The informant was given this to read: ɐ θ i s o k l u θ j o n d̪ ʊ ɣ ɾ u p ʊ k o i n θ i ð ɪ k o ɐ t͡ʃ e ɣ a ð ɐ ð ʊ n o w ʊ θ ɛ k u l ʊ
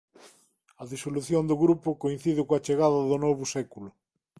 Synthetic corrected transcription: ɐ ð i s o l u θ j o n d̪ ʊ ɣ ɾ u p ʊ k o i n θ i ð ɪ k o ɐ t͡ʃ e ɣ a ð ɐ ð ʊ n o β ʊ s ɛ k u l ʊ